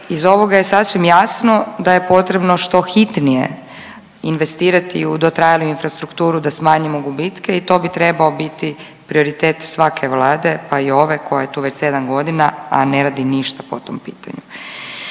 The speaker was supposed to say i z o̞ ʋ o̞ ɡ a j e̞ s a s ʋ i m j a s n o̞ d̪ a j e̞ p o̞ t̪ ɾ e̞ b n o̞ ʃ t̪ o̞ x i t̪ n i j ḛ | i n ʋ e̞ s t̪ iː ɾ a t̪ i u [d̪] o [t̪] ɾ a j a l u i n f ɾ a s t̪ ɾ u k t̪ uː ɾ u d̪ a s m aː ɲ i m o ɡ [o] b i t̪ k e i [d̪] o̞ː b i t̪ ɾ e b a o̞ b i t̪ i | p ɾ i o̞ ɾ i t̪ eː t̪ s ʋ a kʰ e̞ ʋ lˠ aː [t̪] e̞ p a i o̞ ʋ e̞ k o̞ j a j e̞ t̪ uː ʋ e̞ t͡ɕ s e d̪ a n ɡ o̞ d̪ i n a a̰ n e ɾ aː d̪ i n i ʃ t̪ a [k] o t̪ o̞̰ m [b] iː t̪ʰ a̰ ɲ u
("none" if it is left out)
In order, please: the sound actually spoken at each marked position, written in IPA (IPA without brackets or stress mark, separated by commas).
d̪, t̪, u, t̪, d̪, p, p